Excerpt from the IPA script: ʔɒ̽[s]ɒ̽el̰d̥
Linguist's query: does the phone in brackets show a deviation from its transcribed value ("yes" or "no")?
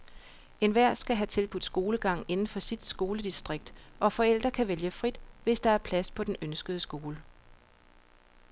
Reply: yes